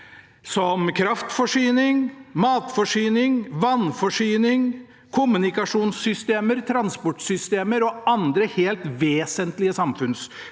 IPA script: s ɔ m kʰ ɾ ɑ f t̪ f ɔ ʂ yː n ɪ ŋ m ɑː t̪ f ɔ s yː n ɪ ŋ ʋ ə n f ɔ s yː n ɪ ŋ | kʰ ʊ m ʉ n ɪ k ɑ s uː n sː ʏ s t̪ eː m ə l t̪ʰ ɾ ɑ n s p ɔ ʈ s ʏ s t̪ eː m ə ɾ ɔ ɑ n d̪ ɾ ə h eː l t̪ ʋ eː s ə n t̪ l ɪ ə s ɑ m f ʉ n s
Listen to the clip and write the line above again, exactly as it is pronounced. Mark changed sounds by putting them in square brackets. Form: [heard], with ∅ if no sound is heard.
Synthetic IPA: s ɔ m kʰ ɾ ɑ f t̪ f ɔ ʂ yː n ɪ ŋ m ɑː t̪ f ɔ [ʂ] yː n ɪ ŋ ʋ [ɑ] n f ɔ [ʂ] yː n ɪ ŋ | kʰ ʊ m ʉ n ɪ k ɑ [ʂ] uː n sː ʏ s t̪ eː m ə [ɾ] t̪ʰ ɾ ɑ n s p ɔ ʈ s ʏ s t̪ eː m ə ɾ ɔ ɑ n d̪ ɾ ə h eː l t̪ ʋ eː s ə n t̪ l ɪ ə s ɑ m f ʉ n s